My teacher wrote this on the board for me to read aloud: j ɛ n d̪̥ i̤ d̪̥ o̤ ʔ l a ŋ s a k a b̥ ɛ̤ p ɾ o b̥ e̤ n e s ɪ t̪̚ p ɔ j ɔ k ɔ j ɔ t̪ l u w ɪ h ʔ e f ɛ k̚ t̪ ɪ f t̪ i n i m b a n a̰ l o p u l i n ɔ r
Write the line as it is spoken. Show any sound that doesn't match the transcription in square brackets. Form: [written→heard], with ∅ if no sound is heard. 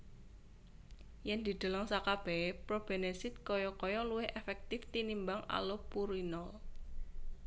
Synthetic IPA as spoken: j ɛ n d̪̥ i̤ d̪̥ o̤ [ʔ→∅] l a ŋ s a k a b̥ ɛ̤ p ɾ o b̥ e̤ n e s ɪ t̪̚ [p→k] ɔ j ɔ k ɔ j ɔ [t̪→∅] l u w ɪ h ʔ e f ɛ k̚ t̪ ɪ f t̪ i n i m b a [n→ŋ] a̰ l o p u [l→ɾ] i n ɔ [r→l]